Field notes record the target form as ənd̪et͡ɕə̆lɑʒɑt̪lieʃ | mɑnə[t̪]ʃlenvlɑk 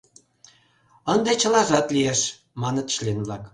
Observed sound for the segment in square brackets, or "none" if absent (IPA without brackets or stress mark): t̪